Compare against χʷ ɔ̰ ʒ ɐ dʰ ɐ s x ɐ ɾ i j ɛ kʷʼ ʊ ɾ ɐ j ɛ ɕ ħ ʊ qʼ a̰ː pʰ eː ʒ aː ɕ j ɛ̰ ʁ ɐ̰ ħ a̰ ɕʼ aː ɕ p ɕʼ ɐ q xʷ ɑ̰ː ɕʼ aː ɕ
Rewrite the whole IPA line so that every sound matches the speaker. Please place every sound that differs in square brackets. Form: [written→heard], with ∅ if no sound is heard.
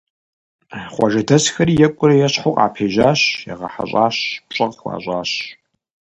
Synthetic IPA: χʷ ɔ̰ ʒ ɐ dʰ ɐ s x ɐ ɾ i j ɛ kʷʼ ʊ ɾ ɐ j ɛ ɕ ħ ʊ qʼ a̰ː pʰ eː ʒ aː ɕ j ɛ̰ ʁ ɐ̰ ħ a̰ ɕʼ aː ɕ p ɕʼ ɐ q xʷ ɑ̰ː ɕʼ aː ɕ